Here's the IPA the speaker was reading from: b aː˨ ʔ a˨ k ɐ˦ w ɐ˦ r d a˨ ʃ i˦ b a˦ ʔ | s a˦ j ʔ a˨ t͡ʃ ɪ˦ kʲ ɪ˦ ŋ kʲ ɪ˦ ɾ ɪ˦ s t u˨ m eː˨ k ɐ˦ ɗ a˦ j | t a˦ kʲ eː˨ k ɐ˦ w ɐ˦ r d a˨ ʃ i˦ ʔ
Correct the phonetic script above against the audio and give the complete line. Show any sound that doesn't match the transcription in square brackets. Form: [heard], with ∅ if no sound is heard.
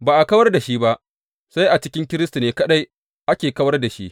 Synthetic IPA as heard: b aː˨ ʔ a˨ k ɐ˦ w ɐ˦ r d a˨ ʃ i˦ b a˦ ʔ | s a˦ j ʔ a˨ t͡ʃ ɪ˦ kʲ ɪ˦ ŋ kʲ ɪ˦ ɾ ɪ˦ s t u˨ [n] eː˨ k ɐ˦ ɗ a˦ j | [ʔ] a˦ kʲ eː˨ k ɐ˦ w ɐ˦ r d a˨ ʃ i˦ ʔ